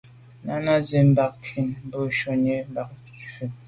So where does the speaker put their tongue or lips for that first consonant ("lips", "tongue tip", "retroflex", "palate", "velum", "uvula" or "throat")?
tongue tip